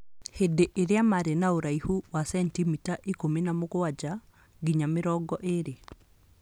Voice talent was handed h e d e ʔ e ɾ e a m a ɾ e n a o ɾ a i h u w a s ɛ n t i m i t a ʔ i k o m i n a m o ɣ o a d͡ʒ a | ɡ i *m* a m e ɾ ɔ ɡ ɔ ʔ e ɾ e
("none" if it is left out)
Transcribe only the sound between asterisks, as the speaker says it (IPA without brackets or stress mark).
ɲ